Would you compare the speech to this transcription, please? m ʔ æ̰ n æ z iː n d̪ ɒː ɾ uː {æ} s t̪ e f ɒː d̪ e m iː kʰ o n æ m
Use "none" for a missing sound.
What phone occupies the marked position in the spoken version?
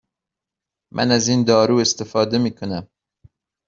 e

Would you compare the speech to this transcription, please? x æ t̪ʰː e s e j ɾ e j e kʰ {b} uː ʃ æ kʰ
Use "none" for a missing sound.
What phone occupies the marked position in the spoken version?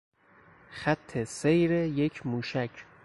m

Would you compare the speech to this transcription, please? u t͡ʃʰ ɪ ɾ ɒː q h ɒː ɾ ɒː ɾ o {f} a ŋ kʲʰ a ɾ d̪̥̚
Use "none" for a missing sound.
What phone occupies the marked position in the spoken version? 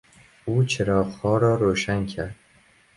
ʃ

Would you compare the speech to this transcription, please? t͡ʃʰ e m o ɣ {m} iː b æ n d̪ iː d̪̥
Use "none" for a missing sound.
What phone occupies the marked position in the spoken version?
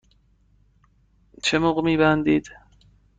m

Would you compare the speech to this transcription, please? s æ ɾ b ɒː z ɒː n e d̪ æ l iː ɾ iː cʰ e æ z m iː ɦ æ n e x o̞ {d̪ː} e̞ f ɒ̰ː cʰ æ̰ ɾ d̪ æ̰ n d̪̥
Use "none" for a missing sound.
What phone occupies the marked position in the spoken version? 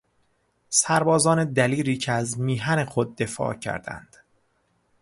d̪ː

